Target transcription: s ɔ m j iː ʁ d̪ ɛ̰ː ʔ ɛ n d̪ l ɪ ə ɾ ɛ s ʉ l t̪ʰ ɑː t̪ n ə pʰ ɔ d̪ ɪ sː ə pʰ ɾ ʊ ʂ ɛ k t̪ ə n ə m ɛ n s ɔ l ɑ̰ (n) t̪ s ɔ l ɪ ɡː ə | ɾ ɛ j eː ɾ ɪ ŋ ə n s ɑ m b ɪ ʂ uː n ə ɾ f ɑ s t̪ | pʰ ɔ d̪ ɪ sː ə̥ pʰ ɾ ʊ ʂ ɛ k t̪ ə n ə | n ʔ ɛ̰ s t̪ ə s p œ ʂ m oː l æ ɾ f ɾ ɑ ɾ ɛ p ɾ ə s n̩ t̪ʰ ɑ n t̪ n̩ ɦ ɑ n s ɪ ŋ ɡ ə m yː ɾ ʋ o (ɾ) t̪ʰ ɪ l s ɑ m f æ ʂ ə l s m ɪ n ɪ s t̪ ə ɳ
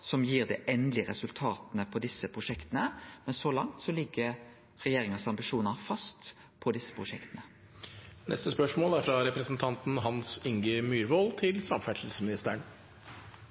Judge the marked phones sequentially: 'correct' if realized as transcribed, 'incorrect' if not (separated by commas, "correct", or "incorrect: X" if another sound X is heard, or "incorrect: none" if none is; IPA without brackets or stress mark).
incorrect: ŋ, incorrect: l